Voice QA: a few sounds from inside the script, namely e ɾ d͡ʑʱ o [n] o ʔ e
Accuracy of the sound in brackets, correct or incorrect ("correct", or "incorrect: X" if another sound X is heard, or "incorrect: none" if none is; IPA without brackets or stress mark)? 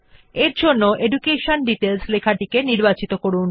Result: incorrect: nː